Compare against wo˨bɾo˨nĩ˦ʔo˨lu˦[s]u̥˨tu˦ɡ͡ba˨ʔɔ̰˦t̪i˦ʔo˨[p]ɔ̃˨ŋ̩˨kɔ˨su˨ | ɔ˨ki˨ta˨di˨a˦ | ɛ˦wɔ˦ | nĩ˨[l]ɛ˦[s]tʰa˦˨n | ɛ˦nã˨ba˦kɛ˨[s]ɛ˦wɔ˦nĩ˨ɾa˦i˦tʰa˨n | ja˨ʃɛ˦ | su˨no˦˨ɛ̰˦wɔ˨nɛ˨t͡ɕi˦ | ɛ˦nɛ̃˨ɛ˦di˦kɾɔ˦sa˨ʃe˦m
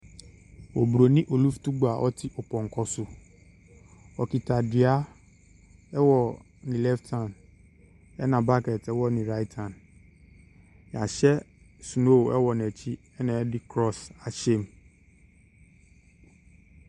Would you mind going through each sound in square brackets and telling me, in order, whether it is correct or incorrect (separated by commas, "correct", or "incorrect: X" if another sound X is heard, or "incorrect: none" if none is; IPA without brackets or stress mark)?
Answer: incorrect: f, correct, correct, incorrect: f, incorrect: t